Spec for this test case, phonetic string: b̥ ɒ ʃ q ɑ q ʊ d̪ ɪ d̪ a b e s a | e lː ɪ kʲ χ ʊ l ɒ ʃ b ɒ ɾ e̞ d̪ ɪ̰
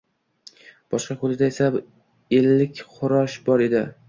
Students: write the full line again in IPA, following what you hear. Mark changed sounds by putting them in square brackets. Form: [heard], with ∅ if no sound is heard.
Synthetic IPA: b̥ ɒ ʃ q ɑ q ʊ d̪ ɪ d̪ a [∅] e s a | e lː ɪ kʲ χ ʊ [ɾ] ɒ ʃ b ɒ ɾ e̞ d̪ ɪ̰